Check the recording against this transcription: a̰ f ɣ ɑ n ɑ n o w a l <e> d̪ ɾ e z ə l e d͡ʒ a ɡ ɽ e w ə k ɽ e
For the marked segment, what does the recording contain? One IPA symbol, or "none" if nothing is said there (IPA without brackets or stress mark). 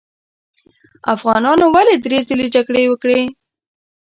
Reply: e